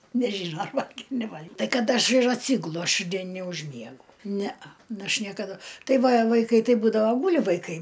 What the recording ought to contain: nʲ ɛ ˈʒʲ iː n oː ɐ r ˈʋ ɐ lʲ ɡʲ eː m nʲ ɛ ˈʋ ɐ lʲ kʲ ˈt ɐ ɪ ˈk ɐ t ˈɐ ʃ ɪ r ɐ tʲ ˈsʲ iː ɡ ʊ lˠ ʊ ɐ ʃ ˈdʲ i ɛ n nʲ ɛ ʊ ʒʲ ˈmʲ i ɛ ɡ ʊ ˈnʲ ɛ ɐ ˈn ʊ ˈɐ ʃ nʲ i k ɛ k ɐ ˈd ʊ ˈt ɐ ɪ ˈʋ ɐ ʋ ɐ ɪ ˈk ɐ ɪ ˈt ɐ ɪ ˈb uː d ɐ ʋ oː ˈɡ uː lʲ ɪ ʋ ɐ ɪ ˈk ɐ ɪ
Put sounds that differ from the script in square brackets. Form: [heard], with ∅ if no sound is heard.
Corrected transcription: nʲ ɛ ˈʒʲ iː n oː ɐ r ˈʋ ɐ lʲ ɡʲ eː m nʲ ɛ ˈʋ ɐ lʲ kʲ ˈt ɐ ɪ ˈk ɐ t ˈɐ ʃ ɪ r ɐ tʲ ˈsʲ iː ɡ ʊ lˠ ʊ ɐ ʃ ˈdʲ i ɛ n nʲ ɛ ʊ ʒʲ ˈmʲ i ɛ ɡ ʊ ˈnʲ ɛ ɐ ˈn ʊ ˈɐ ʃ nʲ i [∅] ɛ k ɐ ˈd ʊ ˈt ɐ ɪ ˈʋ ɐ ʋ ɐ ɪ ˈk ɐ ɪ ˈt ɐ ɪ ˈb uː d ɐ ʋ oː ˈɡ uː lʲ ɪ ʋ ɐ ɪ ˈk ɐ ɪ